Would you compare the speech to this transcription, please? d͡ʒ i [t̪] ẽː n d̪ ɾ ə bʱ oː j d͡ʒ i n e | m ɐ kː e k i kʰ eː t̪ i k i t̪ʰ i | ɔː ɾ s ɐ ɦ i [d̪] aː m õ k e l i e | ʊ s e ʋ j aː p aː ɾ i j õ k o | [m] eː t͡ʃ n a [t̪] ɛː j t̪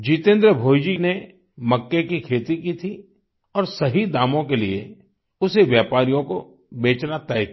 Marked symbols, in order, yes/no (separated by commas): yes, yes, no, yes